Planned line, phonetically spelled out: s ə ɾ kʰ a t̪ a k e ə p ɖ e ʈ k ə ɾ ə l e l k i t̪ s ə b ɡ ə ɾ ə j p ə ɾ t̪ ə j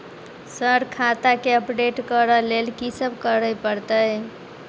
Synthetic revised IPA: s ə ɾ kʰ a t̪ a k e ə p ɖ e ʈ k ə ɾ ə l e l k i s ə b k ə ɾ ə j p ə ɾ t̪ ə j